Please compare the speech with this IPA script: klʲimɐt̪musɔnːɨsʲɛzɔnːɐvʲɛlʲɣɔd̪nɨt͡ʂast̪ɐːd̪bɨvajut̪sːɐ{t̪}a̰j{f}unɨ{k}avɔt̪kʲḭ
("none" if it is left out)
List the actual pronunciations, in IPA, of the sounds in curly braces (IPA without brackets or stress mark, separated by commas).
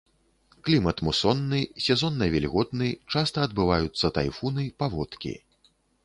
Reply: t̪, f, p